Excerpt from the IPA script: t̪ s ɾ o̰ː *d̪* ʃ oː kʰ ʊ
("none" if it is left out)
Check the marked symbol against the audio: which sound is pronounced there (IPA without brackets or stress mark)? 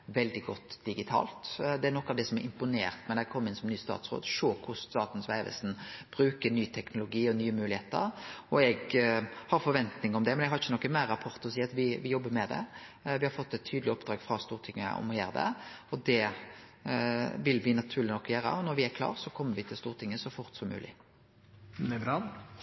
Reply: d̪